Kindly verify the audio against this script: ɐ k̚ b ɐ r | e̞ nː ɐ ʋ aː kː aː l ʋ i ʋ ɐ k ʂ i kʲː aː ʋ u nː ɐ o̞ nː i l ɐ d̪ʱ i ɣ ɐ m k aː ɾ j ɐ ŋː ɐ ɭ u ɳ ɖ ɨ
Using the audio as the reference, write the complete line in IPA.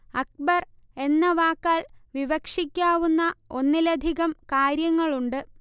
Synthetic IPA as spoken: ɐ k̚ b ɐ r | e̞ nː ɐ ʋ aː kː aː l ʋ i ʋ ɐ k ʂ i kʲː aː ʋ u nː ɐ o̞ nː i l ɐ d̪ʱ i ɣ ɐ m k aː ɾ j ɐ ŋː ɐ ɭ u ɳ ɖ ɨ